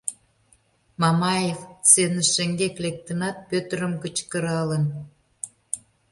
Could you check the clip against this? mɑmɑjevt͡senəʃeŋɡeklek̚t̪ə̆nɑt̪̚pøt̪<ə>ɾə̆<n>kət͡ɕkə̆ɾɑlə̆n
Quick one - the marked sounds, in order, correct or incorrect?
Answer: correct, incorrect

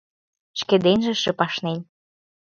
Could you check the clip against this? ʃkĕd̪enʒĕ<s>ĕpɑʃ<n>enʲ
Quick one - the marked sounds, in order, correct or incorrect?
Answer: incorrect, correct

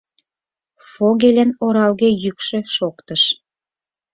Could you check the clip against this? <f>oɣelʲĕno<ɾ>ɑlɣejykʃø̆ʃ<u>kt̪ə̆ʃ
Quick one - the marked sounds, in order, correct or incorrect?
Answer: correct, correct, incorrect

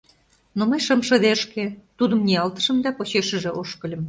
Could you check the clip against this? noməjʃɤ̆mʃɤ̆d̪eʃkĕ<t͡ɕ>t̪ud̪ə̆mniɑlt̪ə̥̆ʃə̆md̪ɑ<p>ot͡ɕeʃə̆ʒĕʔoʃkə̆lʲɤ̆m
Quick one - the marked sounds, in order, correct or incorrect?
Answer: incorrect, correct

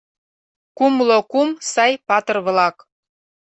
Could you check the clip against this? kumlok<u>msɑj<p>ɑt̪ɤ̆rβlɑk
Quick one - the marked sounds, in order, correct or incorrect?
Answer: correct, correct

